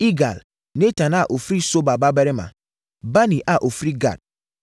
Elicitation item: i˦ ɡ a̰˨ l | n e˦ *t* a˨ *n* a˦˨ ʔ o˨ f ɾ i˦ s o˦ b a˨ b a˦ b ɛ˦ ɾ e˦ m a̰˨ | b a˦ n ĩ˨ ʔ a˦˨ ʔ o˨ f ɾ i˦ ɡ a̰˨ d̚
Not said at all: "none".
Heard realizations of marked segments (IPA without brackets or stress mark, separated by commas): t, n